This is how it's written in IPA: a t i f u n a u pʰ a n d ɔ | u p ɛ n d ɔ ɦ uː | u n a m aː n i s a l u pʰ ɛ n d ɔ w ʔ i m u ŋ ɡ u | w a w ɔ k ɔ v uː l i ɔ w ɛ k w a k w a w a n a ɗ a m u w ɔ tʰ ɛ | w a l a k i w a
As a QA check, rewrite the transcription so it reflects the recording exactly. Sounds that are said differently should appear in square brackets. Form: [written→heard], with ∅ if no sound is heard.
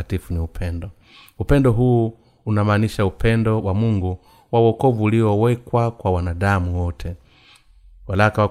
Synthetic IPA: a t i f u n [a→i] u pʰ [a→ɛ] n d ɔ | u p ɛ n d ɔ ɦ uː | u n a m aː n i [s→ʃ] a [l→∅] u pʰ ɛ n d ɔ w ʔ [i→a] m u ŋ ɡ u | w a w ɔ k ɔ v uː l i ɔ w ɛ k w a k w a w a n a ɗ a m u w ɔ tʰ ɛ | w a l a k [i→a] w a